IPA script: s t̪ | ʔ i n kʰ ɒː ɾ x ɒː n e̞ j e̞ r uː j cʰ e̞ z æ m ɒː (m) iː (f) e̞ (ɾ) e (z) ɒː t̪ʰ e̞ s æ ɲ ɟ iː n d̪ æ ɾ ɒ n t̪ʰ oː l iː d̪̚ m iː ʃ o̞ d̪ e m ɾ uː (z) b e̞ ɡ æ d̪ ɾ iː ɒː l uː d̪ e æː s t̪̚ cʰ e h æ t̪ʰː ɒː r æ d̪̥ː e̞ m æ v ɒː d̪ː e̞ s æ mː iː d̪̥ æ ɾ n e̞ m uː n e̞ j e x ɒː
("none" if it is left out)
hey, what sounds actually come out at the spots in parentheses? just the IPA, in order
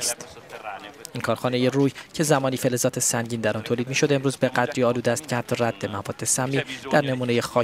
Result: n, f, l, z, z

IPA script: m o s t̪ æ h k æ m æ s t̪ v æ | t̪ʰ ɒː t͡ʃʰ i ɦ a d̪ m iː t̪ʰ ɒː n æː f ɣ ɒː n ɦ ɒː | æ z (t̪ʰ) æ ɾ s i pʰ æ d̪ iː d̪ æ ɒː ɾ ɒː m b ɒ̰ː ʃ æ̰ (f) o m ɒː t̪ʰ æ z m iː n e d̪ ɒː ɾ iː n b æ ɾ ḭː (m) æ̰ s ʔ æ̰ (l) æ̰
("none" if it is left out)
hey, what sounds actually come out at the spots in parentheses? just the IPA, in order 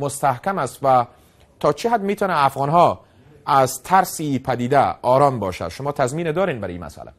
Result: t̪ʰ, ʃ, m, l

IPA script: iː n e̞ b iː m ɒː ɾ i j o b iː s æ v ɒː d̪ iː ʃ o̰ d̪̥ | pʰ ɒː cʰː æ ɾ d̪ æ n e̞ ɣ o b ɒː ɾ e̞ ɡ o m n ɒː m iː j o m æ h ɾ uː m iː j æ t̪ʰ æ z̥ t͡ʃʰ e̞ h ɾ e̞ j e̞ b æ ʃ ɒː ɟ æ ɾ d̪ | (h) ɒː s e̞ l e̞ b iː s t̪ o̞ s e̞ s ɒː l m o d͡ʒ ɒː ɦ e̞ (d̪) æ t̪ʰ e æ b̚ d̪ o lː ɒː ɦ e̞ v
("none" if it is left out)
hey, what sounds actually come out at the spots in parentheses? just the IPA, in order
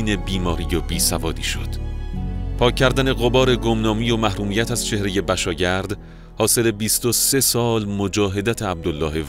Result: h, d̪

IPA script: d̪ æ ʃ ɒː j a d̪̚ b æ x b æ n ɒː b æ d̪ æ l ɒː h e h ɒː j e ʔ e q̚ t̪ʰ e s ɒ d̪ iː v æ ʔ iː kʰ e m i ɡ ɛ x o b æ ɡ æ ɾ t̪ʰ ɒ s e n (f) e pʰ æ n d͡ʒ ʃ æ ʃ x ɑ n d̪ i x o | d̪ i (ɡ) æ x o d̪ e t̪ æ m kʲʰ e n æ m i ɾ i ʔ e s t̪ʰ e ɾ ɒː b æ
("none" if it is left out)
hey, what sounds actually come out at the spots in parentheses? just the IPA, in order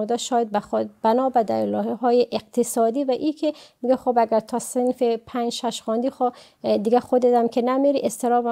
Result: f, ɡ

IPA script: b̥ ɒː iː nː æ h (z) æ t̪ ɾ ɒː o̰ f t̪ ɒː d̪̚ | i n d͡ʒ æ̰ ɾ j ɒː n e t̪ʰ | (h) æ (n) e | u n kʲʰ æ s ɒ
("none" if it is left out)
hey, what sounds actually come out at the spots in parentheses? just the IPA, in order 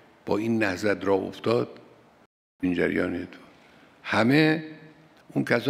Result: z, h, m

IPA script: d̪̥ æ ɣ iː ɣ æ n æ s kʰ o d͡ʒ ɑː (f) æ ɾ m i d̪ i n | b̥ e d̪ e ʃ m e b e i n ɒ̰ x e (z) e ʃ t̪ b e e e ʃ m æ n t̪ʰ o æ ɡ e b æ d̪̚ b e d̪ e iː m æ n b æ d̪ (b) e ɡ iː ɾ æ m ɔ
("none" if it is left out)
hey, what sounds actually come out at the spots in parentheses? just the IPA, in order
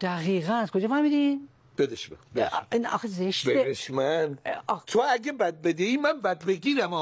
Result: f, z, b

